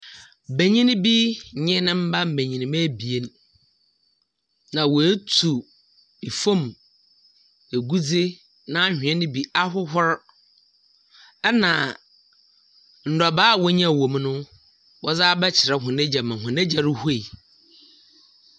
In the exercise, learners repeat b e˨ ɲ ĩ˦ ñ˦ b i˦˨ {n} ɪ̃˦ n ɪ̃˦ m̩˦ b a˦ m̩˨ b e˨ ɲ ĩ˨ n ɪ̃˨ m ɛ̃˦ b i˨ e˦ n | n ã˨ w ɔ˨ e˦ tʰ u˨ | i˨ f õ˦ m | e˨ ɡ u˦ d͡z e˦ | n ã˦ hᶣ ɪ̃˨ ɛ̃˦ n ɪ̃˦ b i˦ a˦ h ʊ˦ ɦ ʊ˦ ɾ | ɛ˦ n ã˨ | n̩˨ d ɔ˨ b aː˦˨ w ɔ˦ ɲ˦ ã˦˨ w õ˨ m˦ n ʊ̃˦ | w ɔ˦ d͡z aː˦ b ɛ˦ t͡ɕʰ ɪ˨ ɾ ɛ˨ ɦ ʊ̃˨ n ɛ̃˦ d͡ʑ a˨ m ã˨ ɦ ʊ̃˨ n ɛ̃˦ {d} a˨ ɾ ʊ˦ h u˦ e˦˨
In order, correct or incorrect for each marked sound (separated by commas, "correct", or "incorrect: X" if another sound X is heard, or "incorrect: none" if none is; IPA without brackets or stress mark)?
incorrect: ɲ, incorrect: d͡ʑ